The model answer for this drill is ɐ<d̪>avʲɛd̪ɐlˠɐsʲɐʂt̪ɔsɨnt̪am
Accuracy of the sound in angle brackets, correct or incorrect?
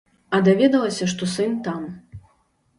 correct